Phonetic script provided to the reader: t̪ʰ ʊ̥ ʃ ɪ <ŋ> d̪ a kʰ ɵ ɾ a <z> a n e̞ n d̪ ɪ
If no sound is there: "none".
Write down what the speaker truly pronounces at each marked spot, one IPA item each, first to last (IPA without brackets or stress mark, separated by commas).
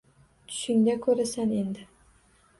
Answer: ŋ, s